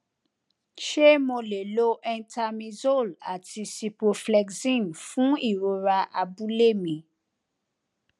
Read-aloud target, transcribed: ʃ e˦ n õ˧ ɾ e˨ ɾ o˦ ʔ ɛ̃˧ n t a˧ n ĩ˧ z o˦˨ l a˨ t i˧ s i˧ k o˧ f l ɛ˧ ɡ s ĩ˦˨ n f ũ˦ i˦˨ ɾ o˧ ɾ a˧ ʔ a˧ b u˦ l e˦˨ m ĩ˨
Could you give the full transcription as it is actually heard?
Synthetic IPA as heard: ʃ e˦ m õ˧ l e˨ l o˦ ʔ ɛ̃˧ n t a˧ m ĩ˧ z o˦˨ l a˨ t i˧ s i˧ p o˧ f l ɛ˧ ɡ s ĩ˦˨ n f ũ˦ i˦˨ ɾ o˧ ɾ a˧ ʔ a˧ b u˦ l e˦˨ m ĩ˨